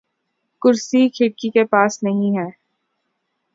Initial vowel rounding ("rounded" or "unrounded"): rounded